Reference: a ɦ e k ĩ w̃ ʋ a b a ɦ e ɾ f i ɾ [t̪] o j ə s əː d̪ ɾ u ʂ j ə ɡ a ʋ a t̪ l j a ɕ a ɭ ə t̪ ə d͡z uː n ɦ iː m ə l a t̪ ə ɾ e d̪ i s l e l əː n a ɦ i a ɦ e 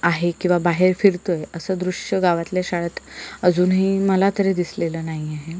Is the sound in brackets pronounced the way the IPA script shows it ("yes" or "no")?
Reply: yes